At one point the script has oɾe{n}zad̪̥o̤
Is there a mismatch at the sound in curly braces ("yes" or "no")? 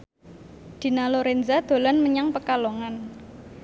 no